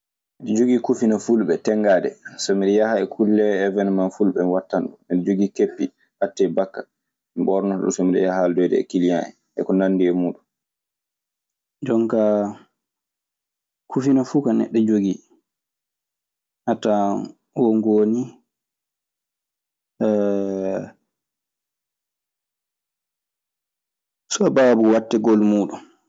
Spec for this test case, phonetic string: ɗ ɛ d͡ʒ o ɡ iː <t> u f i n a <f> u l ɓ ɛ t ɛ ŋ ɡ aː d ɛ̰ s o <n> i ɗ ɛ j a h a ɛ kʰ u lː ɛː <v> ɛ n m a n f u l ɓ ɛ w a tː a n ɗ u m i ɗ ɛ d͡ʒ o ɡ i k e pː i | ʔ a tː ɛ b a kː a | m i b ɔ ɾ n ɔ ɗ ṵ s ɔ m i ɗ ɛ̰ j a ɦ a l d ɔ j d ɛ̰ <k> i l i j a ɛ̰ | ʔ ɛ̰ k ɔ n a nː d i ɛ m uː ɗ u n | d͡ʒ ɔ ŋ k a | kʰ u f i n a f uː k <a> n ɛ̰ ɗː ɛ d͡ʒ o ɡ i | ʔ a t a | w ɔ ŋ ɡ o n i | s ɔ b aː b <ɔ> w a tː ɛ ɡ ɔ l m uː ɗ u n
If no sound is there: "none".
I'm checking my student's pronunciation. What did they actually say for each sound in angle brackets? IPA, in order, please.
k, f, m, v, k, a, u

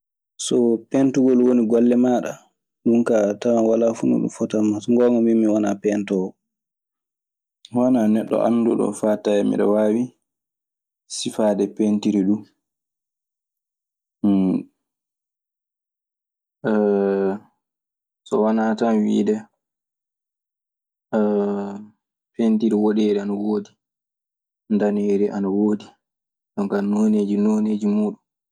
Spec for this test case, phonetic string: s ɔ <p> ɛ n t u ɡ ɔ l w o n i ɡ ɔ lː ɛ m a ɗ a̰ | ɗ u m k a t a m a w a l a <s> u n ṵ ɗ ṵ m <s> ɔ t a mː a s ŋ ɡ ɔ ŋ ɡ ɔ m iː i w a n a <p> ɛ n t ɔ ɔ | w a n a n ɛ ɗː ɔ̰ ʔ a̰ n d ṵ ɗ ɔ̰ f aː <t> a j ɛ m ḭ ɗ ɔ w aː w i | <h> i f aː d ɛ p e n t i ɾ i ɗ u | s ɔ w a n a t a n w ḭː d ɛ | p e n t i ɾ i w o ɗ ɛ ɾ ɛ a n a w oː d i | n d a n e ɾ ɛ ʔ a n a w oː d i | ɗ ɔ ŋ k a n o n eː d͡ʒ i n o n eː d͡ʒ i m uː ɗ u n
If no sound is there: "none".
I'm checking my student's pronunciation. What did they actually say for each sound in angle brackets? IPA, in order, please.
p, f, f, p, t, s

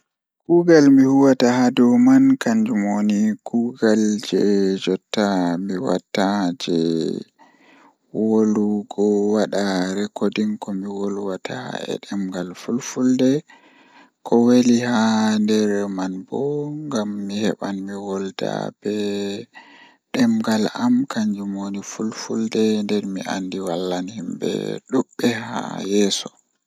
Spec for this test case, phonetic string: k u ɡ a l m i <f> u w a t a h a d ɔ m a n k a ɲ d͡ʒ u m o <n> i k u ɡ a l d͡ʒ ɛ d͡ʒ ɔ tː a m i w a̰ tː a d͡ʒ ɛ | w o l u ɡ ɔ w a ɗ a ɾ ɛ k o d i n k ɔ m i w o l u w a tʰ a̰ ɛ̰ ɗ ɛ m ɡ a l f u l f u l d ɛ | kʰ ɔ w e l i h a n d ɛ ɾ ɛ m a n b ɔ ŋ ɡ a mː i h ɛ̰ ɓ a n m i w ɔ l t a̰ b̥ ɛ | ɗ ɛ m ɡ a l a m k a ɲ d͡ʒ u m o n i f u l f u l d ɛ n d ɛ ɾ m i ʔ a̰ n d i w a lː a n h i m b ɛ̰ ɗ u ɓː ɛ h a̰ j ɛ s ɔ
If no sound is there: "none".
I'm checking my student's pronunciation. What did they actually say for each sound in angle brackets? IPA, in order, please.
h, n

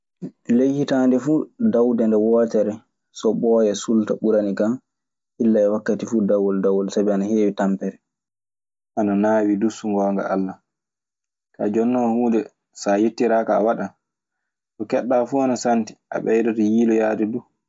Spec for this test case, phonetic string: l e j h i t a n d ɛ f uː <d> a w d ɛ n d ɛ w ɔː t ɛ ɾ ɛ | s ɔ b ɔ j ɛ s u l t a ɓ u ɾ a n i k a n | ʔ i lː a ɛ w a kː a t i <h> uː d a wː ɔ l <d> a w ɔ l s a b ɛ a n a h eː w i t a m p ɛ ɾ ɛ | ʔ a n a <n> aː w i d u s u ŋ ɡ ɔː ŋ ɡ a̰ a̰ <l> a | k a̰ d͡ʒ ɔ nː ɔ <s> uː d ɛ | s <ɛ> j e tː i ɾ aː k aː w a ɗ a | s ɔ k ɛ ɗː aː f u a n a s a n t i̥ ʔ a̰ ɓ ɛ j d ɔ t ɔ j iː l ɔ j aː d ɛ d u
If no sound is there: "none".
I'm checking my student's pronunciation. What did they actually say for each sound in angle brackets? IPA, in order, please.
d, f, d, n, lː, h, a

